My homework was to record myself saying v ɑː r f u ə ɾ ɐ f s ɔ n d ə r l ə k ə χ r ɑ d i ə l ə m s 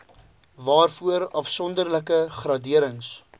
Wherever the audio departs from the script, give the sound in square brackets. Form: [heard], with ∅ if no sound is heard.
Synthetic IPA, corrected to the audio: v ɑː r f u ə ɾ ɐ f s ɔ n d ə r l ə k ə χ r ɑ d i ə [ɾ] ə [ŋ] s